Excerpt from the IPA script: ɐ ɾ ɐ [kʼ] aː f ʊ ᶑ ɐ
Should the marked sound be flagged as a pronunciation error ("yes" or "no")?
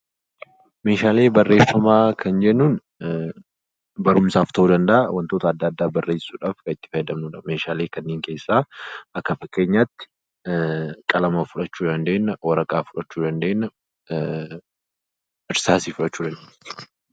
no